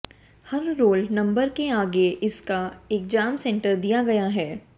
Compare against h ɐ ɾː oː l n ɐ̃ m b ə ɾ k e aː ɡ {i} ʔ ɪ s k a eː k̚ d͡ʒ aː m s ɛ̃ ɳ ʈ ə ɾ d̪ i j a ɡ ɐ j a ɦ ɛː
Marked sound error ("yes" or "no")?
yes